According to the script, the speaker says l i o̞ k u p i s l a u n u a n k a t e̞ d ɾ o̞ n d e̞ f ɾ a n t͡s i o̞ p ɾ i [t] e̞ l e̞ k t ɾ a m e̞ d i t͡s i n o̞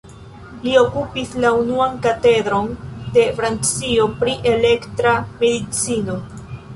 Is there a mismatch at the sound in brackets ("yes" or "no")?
yes